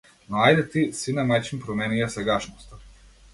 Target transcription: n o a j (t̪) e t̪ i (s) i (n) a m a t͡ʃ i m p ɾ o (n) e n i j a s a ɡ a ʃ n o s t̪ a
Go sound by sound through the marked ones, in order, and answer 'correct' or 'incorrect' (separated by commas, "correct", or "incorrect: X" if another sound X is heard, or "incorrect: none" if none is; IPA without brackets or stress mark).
incorrect: d̪, correct, correct, incorrect: m